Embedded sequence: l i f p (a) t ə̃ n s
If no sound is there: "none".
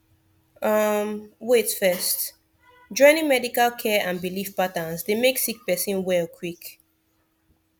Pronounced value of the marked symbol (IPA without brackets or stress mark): a